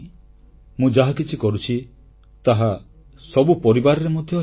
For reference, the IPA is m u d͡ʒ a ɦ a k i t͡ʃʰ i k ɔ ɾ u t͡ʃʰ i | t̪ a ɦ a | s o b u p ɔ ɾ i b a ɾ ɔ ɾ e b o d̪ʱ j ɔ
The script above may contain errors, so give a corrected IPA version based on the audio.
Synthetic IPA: m ũ d͡ʒ a ɦ a k i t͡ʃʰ i k ɔ ɾ u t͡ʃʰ i | t̪ a ɦ a | s ɔ b u p ɔ ɾ i b a ɾ ɔ ɾ e m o d̪ʱ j ɔ